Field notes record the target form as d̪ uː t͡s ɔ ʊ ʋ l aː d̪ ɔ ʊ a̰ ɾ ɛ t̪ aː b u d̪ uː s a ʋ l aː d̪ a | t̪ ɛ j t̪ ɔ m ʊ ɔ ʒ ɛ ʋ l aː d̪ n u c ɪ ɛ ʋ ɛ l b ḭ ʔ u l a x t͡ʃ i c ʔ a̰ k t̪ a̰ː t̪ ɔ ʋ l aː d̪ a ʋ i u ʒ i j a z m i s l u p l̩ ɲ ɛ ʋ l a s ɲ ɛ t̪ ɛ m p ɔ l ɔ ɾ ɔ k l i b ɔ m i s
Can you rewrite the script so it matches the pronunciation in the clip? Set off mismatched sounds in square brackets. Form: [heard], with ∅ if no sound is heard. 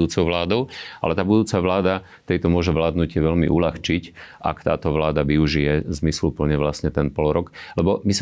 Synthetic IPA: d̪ uː t͡s ɔ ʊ ʋ l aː d̪ ɔ ʊ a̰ [l] ɛ t̪ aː b u d̪ uː [t͡s] a ʋ l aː d̪ a | t̪ ɛ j t̪ ɔ m ʊ ɔ ʒ ɛ ʋ l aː d̪ n u c ɪ ɛ ʋ ɛ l [m] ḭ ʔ u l a x t͡ʃ i c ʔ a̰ k t̪ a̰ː t̪ ɔ ʋ l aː d̪ a ʋ i u ʒ i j [ɛ] z m i s l u p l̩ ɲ ɛ ʋ l a s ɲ ɛ t̪ ɛ [n] p ɔ l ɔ ɾ ɔ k l [ɛ] b ɔ m i s